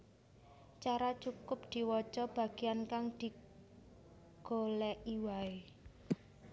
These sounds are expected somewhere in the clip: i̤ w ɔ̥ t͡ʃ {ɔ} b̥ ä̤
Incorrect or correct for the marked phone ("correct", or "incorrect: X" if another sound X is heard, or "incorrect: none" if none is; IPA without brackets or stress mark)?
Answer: correct